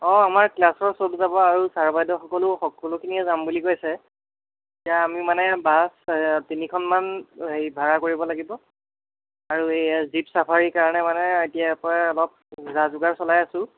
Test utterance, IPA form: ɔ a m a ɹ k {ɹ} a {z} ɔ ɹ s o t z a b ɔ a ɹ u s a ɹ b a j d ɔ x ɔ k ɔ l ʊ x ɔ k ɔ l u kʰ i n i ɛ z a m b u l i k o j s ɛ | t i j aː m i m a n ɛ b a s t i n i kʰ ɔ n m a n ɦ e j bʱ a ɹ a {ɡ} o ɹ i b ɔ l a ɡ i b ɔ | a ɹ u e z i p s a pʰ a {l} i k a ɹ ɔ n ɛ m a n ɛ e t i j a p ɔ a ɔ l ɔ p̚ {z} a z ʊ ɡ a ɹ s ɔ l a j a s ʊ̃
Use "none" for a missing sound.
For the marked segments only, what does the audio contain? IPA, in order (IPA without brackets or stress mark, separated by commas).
l, s, k, ɹ, z